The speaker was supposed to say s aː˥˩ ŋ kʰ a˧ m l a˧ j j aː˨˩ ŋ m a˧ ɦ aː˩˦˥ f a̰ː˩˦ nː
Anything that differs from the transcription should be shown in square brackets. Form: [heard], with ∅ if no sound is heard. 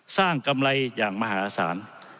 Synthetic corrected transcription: s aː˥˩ ŋ [k] a˧ m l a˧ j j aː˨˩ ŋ m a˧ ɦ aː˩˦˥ [s] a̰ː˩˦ [n]